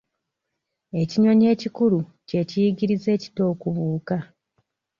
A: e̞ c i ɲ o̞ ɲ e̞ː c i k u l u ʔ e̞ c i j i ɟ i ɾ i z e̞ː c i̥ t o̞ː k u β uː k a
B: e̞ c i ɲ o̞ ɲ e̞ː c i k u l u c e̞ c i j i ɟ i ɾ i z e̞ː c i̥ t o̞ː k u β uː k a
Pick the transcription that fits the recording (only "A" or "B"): B